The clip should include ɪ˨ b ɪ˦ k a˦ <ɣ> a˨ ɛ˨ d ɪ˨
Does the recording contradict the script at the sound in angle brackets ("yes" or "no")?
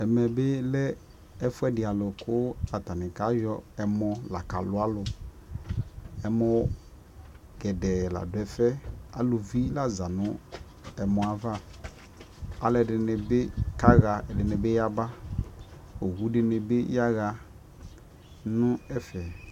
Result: no